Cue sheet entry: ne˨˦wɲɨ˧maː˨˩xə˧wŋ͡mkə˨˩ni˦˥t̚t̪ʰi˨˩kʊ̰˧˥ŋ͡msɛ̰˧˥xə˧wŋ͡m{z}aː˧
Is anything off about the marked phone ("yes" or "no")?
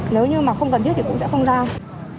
no